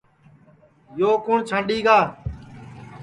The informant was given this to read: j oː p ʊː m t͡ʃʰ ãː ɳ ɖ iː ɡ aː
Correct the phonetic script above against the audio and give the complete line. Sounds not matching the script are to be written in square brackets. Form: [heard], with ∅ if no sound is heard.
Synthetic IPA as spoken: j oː [k] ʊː [ɳ] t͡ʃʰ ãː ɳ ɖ iː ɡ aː